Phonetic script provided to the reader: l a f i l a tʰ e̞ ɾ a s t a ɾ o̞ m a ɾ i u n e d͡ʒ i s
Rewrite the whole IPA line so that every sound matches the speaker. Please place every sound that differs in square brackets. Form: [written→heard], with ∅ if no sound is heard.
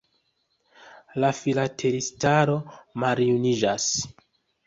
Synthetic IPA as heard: l a f i l a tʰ e̞ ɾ [a→i] s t a ɾ o̞ m a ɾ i u n [e→i] d͡ʒ [i→a] s